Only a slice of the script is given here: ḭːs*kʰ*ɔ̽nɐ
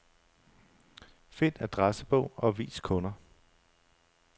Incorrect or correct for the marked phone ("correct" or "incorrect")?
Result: correct